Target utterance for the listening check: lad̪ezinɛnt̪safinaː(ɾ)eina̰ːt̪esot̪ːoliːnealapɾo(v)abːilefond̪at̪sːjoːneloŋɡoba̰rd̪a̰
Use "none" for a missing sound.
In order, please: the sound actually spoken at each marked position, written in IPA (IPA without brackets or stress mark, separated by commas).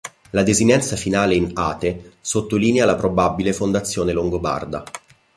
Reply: l, b